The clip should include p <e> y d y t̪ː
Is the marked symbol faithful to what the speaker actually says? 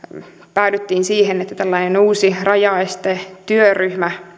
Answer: no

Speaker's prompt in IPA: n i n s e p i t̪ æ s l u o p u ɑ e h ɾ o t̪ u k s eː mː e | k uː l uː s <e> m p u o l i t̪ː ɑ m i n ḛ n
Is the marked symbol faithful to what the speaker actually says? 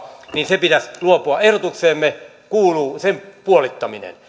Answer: yes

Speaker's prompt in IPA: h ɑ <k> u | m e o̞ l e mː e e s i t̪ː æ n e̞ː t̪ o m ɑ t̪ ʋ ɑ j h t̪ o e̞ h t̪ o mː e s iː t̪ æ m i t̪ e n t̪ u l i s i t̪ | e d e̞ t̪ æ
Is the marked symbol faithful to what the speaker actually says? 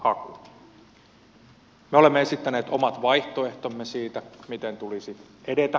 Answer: yes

